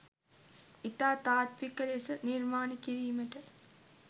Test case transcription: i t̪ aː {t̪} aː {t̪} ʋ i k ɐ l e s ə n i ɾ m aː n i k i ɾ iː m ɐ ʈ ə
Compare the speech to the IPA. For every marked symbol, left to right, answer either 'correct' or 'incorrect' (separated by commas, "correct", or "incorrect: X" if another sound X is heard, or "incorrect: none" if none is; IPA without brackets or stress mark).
correct, correct